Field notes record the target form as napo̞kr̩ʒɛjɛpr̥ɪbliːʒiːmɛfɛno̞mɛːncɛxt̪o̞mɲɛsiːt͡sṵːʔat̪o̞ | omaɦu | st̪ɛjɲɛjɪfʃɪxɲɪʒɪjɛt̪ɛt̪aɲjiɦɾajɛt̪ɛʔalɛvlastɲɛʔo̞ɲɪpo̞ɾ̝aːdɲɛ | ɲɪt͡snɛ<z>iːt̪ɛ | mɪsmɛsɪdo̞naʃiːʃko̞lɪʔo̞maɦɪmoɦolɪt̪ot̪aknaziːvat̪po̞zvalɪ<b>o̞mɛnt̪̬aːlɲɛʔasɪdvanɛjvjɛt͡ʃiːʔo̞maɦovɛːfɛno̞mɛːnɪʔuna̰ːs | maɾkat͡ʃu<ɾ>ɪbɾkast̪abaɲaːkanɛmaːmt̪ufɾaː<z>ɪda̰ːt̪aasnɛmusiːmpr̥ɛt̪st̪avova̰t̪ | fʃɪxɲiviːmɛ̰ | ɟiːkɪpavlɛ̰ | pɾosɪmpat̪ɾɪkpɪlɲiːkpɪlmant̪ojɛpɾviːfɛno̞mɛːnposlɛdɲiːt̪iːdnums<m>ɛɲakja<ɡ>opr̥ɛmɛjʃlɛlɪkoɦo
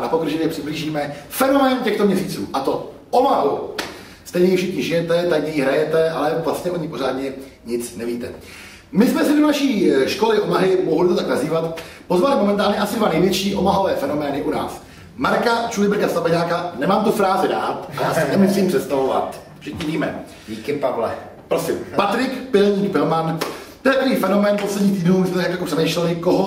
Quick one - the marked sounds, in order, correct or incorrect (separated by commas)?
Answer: incorrect, incorrect, incorrect, correct, correct, incorrect